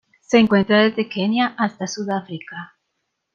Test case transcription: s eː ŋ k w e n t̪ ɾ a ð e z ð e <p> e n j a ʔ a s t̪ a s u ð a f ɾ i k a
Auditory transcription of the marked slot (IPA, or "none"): k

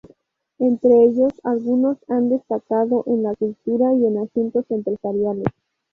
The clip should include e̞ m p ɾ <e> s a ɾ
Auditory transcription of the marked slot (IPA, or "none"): e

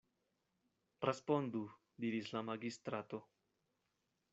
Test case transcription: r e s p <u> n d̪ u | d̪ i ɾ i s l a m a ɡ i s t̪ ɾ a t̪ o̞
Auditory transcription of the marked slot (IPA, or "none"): o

